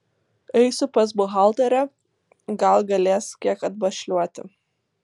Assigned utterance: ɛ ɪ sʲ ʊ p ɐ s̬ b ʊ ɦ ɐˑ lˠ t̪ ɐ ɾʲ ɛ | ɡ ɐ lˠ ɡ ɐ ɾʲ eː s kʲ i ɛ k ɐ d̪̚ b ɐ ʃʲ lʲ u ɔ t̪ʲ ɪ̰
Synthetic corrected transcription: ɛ ɪ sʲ ʊ p ɐ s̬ b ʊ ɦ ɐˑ lˠ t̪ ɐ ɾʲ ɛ | ɡ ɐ lˠ ɡ ɐ lʲ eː s kʲ i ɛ k ɐ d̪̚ b ɐ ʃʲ lʲ u ɔ t̪ʲ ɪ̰

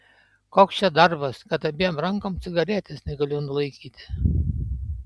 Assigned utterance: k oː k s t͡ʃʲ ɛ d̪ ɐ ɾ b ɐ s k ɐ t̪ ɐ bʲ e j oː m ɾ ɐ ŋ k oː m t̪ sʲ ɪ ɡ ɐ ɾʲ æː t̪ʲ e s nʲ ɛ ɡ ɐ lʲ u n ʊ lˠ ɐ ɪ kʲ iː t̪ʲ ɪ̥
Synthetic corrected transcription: k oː k s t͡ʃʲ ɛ d̪ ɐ ɾ b ɐ s k ɐ t̪ ɐ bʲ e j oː m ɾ ɐ ŋ k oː m t̪ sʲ ɪ ɡ ɐ ɾʲ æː t̪ʲ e s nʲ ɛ ɡ ɐ lʲ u n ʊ lˠ ɐ ɪ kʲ iː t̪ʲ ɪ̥

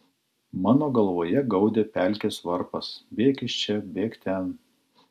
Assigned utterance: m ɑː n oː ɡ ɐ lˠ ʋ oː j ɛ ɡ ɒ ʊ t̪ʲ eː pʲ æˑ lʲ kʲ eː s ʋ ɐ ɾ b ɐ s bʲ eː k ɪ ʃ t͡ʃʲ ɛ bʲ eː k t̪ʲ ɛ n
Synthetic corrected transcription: m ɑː n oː ɡ ɐ lˠ ʋ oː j ɛ ɡ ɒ ʊ d̪ʲ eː pʲ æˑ lʲ kʲ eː s ʋ ɐ ɾ p ɐ s bʲ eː k ɪ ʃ t͡ʃʲ ɛ bʲ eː k t̪ʲ ɛ n

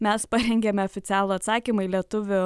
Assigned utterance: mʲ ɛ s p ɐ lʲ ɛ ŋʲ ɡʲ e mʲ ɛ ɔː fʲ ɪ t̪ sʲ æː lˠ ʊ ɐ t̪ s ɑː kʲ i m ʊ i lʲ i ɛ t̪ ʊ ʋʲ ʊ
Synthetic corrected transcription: mʲ ɛ s p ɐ ɾʲ ɛ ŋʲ ɡʲ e mʲ ɛ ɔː fʲ ɪ t̪ sʲ æː lˠ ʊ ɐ t̪ s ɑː kʲ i m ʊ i lʲ i ɛ t̪ ʊ ʋʲ ʊ

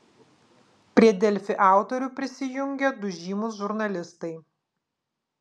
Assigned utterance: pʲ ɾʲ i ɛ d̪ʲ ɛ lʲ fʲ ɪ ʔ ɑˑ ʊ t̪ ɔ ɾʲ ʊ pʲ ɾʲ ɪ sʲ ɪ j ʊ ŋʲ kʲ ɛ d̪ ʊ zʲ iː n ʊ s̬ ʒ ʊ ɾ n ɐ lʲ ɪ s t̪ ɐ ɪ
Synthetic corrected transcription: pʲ ɾʲ i ɛ d̪ʲ ɛ lʲ fʲ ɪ ʔ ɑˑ ʊ t̪ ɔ ɾʲ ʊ pʲ ɾʲ ɪ sʲ ɪ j ʊ ŋʲ ɡʲ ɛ d̪ ʊ ʒʲ iː m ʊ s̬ ʒ ʊ ɾ n ɐ lʲ ɪ s t̪ ɐ ɪ

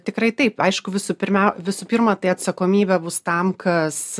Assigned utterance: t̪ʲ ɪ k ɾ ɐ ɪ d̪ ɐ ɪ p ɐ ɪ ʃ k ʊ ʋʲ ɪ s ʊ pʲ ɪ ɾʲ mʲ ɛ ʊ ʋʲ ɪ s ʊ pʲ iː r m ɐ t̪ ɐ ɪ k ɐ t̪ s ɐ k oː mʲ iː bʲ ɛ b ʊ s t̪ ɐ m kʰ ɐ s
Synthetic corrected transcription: t̪ʲ ɪ k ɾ ɐ ɪ t̪ ɐ ɪ p ɐ ɪ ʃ k ʊ ʋʲ ɪ s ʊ pʲ ɪ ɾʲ mʲ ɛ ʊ ʋʲ ɪ s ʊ pʲ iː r m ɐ t̪ ɐ ɪ ɐ t̪ s ɐ k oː mʲ iː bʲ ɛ b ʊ s t̪ ɐ m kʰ ɐ s

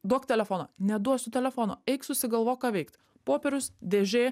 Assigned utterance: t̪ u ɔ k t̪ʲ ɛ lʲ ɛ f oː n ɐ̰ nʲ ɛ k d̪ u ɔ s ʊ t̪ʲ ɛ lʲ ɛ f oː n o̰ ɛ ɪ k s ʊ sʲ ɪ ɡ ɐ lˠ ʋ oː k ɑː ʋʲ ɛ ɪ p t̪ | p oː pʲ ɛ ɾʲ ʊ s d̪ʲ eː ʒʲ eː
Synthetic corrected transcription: d̪ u ɔ k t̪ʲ ɛ lʲ ɛ f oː n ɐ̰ nʲ ɛ d̪ u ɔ s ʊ t̪ʲ ɛ lʲ ɛ f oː n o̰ ɛ ɪ k s ʊ sʲ ɪ ɡ ɐ lˠ ʋ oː k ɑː ʋʲ ɛ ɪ k t̪ | p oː pʲ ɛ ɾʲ ʊ s d̪ʲ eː ʒʲ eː

